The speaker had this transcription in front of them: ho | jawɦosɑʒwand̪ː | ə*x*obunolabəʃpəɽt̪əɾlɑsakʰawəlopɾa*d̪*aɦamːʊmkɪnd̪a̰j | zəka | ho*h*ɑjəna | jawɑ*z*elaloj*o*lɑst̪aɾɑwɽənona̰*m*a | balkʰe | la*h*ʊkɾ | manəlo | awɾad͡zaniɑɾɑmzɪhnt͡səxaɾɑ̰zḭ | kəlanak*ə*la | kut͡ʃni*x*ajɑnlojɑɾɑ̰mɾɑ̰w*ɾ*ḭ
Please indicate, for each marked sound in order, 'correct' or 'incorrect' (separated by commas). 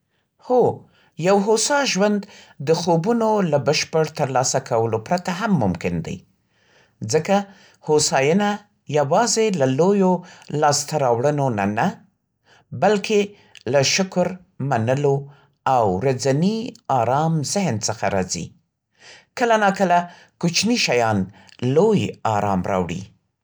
correct, incorrect, incorrect, correct, correct, incorrect, incorrect, correct, incorrect, incorrect